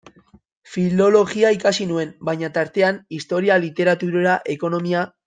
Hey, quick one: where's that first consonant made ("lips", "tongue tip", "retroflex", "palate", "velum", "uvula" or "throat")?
lips